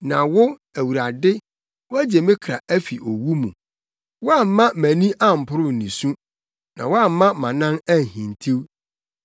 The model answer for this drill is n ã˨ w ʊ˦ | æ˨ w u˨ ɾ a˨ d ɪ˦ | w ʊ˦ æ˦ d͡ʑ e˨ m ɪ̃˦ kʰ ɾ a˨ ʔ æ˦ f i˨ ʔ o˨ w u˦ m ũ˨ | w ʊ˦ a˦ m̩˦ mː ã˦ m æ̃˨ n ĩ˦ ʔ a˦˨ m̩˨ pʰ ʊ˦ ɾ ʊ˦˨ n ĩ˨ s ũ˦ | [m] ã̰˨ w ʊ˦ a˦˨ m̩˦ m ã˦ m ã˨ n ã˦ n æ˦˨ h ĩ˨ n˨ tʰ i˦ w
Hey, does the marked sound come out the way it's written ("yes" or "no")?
no